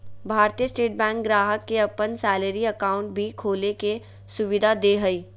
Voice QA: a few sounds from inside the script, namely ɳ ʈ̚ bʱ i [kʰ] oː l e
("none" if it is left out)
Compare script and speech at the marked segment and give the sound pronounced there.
kʰ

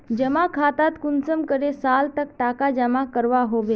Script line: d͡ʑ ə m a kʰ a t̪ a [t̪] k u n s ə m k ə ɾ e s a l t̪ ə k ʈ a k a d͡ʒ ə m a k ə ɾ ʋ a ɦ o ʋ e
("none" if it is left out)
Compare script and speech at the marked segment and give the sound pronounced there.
t̪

